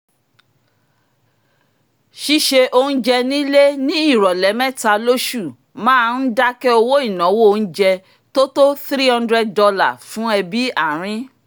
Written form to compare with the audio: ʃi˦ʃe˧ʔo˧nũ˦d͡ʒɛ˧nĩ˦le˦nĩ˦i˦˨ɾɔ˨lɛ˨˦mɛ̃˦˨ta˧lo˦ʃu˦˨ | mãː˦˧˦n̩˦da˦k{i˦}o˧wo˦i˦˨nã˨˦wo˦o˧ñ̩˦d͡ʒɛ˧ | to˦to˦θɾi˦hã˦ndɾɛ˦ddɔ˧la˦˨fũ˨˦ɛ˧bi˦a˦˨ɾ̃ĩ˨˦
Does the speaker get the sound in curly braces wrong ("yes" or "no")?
yes